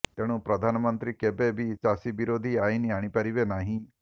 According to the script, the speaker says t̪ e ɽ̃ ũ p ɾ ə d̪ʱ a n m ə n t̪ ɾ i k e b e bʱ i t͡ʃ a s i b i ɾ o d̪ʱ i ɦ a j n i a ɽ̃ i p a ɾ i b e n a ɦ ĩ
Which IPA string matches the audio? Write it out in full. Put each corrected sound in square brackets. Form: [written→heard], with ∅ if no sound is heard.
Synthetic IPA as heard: t̪ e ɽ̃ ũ p ɾ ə d̪ʱ a n m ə n t̪ ɾ i k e b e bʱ i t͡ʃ a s i b i ɾ o d̪ʱ i [ɦ→∅] a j n i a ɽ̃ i p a ɾ i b e n a ɦ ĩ